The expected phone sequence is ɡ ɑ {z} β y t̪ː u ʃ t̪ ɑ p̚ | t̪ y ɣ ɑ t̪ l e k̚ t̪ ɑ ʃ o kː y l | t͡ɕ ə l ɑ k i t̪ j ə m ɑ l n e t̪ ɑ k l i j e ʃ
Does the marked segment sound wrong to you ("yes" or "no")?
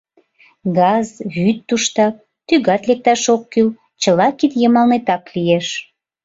no